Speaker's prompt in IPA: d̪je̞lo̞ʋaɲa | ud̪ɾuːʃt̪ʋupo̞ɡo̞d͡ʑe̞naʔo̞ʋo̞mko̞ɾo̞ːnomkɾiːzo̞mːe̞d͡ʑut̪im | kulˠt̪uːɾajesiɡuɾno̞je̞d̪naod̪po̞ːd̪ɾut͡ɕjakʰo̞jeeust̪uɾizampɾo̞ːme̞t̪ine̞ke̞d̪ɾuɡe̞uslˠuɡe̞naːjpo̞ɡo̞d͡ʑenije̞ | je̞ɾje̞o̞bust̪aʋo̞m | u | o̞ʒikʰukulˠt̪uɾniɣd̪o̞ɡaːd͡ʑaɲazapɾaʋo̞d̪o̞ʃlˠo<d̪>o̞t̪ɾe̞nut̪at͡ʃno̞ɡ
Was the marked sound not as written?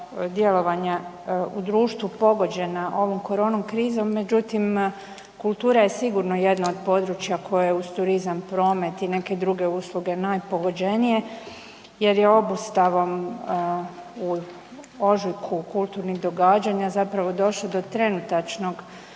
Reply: no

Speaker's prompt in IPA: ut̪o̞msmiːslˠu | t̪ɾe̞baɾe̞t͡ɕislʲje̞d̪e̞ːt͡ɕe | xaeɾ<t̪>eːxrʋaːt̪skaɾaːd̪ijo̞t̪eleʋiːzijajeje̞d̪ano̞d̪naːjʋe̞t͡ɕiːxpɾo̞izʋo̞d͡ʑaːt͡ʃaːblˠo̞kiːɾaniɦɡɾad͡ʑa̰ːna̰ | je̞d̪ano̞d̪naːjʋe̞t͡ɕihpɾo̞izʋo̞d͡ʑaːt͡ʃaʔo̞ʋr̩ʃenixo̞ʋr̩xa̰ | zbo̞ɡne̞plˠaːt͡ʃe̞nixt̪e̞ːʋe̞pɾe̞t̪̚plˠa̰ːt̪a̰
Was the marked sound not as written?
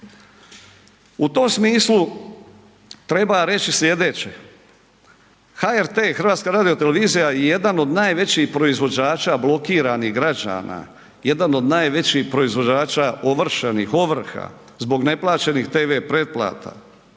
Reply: no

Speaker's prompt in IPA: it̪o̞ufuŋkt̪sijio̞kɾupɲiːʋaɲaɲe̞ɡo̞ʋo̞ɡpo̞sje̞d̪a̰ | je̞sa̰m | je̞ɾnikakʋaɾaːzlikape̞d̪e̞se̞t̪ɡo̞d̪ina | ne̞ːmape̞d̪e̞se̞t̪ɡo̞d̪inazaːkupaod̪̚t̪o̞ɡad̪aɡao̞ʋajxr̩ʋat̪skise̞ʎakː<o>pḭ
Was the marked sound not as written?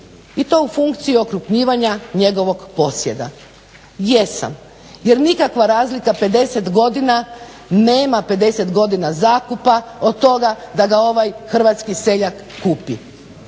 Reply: yes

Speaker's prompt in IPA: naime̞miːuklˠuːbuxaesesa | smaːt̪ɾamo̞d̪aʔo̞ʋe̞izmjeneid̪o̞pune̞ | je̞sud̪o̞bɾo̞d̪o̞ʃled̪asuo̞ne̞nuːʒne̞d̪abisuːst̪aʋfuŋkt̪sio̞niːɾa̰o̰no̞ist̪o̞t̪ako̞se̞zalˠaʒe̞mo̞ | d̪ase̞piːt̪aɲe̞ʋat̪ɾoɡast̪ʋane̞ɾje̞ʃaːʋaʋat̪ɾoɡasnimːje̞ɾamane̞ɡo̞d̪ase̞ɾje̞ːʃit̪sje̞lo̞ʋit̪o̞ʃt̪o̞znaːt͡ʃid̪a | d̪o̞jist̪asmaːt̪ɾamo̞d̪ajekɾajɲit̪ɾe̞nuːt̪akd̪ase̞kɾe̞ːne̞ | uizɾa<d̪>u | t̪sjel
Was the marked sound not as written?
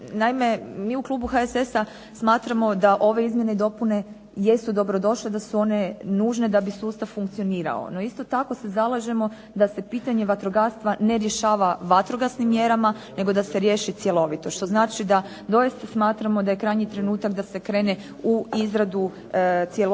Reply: no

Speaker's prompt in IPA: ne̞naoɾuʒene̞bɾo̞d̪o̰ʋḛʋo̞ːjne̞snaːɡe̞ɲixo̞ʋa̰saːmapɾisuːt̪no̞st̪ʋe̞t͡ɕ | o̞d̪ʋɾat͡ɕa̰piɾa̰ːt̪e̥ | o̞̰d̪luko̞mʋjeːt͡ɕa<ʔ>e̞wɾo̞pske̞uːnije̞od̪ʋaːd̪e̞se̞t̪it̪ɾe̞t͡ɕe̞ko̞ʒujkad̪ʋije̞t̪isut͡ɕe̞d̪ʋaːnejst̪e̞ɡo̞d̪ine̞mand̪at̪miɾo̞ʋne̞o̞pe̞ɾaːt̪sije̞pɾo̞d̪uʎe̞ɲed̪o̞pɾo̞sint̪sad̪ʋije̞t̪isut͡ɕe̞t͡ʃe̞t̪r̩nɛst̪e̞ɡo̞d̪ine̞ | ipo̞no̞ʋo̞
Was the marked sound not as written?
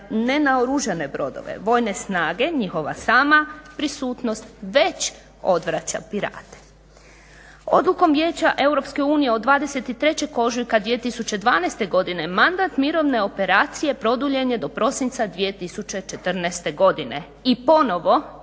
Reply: no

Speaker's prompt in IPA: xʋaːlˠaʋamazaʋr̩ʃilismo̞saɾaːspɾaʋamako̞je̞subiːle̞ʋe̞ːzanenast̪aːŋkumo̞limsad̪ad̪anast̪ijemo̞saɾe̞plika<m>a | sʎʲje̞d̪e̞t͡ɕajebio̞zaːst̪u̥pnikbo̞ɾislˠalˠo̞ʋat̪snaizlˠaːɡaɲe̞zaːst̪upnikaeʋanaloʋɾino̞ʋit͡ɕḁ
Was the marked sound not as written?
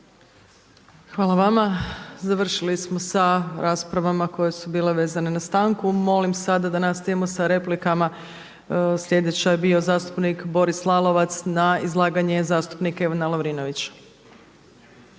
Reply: no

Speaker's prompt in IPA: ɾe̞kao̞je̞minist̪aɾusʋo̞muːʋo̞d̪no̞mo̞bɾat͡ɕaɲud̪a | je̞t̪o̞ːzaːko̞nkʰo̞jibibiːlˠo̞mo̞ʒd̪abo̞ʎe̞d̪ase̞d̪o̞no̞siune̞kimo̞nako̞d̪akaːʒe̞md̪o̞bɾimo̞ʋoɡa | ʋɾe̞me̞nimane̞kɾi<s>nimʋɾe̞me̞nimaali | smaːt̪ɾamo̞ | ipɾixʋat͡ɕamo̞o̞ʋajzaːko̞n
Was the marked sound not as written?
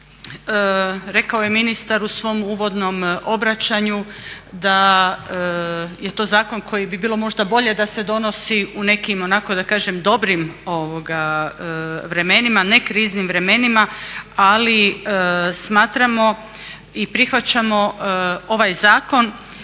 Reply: yes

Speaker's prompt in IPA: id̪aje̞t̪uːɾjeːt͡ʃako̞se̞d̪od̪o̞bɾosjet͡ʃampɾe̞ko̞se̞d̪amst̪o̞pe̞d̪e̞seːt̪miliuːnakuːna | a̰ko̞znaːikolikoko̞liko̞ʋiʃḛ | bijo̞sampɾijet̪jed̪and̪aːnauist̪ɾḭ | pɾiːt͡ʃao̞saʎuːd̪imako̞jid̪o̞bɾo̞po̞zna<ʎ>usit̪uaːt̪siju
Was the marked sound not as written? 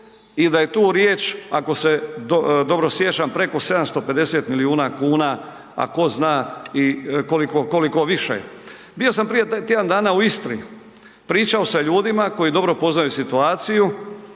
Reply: yes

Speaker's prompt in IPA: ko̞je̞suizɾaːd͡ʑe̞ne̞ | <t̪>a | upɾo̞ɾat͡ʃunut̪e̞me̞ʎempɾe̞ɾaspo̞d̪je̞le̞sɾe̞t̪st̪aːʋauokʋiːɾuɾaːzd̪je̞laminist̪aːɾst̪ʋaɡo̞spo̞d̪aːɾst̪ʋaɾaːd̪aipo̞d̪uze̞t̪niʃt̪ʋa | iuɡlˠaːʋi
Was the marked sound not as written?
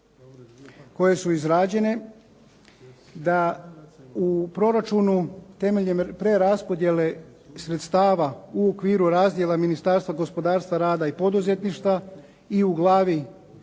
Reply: yes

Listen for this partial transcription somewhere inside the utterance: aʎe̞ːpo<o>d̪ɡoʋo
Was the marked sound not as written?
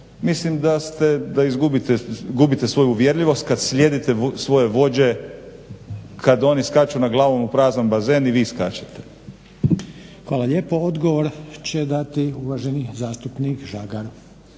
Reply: no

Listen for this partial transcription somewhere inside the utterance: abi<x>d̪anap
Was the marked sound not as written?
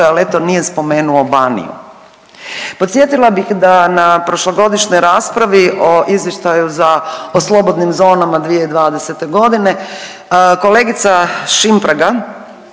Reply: no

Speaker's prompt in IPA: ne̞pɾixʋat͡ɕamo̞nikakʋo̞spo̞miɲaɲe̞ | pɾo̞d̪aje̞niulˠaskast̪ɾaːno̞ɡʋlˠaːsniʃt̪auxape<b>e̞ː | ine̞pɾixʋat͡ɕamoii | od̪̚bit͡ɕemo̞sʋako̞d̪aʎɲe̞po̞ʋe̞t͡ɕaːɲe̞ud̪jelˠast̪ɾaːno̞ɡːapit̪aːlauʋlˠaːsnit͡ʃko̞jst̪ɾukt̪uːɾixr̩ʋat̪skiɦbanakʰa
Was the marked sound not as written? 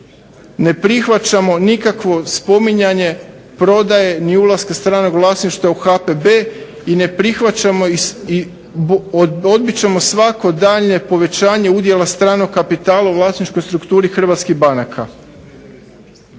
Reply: no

